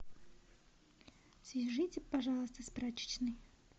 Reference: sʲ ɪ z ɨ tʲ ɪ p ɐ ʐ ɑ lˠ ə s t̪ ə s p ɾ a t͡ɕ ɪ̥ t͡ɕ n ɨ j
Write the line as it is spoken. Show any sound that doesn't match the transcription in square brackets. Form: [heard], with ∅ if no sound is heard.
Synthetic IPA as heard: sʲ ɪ [ʐ] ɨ tʲ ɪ p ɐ ʐ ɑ lˠ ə s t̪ ə s p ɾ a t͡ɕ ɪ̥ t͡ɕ n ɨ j